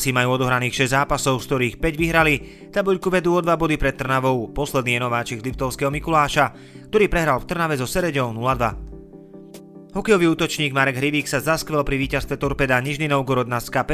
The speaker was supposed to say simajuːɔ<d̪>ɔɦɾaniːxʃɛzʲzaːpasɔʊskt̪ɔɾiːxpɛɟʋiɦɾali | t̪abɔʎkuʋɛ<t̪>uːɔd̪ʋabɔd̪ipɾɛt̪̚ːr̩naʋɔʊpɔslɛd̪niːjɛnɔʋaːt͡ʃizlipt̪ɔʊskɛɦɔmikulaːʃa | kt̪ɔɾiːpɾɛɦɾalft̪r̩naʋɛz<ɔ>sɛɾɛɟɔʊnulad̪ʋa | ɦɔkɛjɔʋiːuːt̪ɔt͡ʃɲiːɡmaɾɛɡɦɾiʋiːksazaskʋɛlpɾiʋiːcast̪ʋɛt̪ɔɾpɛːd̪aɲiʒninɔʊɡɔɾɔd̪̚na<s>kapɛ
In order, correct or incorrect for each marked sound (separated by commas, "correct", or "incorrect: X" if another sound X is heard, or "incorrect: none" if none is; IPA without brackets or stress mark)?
correct, incorrect: d̪, correct, correct